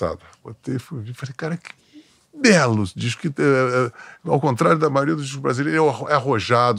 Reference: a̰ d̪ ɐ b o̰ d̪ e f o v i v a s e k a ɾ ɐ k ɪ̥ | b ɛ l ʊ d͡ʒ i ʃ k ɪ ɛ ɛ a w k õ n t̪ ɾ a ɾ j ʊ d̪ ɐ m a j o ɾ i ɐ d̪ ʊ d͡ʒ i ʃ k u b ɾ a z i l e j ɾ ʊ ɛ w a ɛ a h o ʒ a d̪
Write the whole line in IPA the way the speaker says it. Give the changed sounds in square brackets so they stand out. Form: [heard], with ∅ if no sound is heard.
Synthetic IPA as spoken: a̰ d̪ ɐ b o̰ [t̪] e f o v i [f] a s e k a ɾ ɐ k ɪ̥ | b ɛ l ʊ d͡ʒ i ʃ k ɪ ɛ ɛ a w k õ n t̪ ɾ a ɾ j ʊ d̪ ɐ m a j o ɾ i ɐ d̪ ʊ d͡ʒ i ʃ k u b ɾ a z i l e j ɾ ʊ ɛ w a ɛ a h o ʒ a d̪